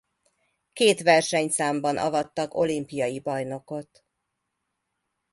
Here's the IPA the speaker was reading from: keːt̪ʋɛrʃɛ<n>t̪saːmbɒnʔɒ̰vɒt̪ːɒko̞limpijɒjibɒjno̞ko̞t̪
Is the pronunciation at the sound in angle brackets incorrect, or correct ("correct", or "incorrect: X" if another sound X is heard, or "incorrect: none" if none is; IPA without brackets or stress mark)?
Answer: incorrect: ɲ